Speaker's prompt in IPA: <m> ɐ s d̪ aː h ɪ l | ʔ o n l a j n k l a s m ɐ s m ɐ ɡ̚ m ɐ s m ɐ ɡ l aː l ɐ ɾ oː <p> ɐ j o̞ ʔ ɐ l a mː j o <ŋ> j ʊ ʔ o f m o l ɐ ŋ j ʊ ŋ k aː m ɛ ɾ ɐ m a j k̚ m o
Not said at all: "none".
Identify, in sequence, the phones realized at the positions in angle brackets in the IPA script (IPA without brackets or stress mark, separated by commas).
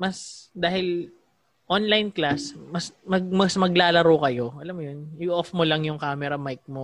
m, k, n